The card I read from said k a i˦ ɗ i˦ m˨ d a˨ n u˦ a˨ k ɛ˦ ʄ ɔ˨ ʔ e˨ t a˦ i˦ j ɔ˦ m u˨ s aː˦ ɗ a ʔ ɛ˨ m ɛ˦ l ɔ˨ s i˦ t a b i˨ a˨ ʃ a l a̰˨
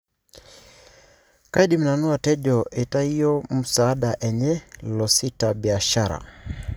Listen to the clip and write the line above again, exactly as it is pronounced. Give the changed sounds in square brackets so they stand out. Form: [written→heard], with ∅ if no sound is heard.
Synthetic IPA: k a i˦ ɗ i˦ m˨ [d→n] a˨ n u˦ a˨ [k→t] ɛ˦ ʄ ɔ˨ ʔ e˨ t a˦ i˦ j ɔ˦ m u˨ s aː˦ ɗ a ʔ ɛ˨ [m→ɲ] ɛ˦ l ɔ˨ s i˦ t a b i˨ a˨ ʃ a [l→ɾ] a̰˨